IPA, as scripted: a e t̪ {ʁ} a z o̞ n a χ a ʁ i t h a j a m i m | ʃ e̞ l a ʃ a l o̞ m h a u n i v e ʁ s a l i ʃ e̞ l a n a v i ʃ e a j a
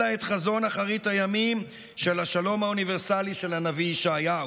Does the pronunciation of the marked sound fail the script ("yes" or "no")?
yes